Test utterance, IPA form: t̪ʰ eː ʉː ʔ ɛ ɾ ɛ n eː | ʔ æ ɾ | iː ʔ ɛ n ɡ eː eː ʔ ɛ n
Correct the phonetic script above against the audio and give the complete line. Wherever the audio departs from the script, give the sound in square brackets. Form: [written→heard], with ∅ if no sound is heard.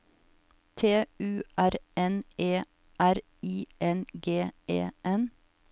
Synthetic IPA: t̪ʰ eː ʉː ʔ [ɛ→æ] ɾ ɛ n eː | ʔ æ ɾ | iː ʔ ɛ n ɡ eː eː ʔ ɛ n